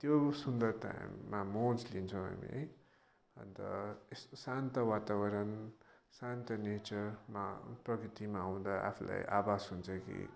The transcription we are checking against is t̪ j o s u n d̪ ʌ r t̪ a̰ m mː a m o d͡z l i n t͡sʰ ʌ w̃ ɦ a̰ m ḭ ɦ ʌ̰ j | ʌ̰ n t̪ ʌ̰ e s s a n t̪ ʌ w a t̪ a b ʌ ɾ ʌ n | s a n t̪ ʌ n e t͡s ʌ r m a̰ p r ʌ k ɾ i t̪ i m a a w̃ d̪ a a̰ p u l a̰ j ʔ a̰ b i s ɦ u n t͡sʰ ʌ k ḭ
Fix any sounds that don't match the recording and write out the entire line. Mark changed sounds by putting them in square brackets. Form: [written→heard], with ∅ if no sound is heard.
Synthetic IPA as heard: t̪ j o s u n d̪ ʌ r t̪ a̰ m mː a m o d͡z l i n t͡sʰ ʌ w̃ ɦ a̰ m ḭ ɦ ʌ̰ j | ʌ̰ n t̪ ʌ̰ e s s a n t̪ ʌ w a t̪ a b ʌ ɾ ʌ n | s a n t̪ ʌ n e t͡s ʌ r m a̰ p r ʌ k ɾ i t̪ i m a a w̃ d̪ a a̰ [p→pʰ] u l a̰ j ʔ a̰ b [i→a] s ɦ u n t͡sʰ ʌ k ḭ